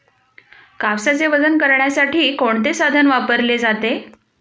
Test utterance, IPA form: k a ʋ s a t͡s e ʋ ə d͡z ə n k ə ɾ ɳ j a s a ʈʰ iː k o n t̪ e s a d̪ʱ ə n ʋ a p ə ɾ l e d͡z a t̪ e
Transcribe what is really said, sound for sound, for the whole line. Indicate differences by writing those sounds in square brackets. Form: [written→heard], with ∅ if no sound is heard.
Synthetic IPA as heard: k a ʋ s a t͡s e ʋ ə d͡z ə n k ə ɾ ɳ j a s a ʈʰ iː k o [n→ɳ] t̪ e s a d̪ʱ ə n ʋ a p ə ɾ l e d͡z a t̪ e

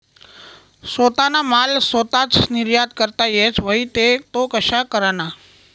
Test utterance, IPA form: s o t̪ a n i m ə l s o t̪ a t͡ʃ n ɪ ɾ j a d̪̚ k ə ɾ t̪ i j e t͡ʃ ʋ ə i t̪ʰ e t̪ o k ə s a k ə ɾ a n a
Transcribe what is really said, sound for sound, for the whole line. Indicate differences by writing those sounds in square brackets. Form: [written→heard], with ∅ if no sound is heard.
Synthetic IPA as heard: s o t̪ a n [i→a] m [ə→a] l s o t̪ a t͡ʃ n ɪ ɾ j a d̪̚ k ə ɾ t̪ [i→a] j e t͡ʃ ʋ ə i [t̪ʰ→t̪] e t̪ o k ə [s→ʃ] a k ə ɾ a n a

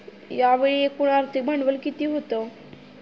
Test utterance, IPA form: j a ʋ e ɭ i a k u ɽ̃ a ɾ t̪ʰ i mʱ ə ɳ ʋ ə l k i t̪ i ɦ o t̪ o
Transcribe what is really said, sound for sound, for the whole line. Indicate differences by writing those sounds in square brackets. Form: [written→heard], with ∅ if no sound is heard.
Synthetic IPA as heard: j a ʋ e ɭ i [a→e] k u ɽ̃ a ɾ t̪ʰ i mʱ ə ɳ ʋ ə l k i t̪ i ɦ o t̪ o

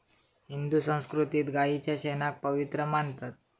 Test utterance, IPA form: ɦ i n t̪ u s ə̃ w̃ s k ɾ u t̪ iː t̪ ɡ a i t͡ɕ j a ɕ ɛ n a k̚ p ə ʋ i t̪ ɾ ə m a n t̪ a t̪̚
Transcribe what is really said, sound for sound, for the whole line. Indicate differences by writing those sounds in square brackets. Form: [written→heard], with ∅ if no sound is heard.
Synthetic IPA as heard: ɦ i n [t̪→d̪] u s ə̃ w̃ s k ɾ u t̪ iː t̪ ɡ a i t͡ɕ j a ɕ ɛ n a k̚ p ə ʋ i t̪ ɾ ə m a n t̪ a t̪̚

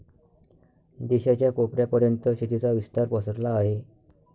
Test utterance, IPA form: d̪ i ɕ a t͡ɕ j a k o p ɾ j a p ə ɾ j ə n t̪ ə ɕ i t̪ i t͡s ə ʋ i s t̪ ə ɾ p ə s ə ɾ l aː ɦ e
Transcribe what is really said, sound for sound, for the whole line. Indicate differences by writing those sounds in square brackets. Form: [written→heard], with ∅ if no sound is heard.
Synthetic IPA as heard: d̪ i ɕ a t͡ɕ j a k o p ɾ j a p ə ɾ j ə n t̪ ə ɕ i t̪ i t͡s [ə→a] ʋ i s t̪ [ə→a] ɾ p ə s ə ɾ l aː ɦ e

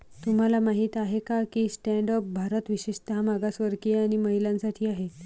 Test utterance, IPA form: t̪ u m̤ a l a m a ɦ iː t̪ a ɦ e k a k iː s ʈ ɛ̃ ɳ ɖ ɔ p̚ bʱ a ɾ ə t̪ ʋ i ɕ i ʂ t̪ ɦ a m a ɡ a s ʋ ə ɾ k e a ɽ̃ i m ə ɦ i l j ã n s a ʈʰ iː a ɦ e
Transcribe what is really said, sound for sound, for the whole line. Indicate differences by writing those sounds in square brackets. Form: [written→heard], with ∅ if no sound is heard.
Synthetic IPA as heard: t̪ u m̤ a l a m a ɦ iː t̪ a ɦ e k a k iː s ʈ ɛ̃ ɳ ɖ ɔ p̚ bʱ a ɾ ə t̪ ʋ i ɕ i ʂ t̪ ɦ a m a ɡ a s ʋ ə ɾ k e a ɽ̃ i m ə ɦ i l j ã n s a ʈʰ iː a ɦ e

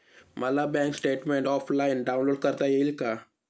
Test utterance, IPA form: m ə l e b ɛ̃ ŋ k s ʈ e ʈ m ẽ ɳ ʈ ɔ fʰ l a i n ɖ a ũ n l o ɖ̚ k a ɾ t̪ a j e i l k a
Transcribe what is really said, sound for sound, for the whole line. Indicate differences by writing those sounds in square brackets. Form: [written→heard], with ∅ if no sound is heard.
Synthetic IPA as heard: m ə l [e→a] b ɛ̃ ŋ k s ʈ e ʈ m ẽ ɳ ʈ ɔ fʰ l a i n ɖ a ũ n l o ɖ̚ k [a→ə] ɾ t̪ a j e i l k a

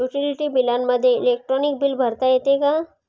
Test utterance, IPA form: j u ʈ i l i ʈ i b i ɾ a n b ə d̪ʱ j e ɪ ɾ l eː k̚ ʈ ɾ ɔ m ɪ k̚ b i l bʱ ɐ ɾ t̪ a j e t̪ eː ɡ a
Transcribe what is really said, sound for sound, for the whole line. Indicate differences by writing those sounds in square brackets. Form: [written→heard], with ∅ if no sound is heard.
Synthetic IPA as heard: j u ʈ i l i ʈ i b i [ɾ→l] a n [b→m] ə d̪ʱ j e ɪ [ɾ→∅] l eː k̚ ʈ ɾ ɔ [m→n] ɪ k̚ b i l bʱ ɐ ɾ t̪ a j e t̪ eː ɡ a

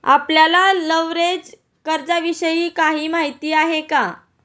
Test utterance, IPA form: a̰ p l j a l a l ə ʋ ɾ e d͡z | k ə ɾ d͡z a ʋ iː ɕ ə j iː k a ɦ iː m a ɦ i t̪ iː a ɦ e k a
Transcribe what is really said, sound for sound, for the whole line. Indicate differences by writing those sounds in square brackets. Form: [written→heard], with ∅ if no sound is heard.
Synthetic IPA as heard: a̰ p l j a l a l ə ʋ ɾ e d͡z | k ə ɾ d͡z a ʋ [iː→i] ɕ ə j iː k a ɦ iː m a ɦ i t̪ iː a ɦ e k a

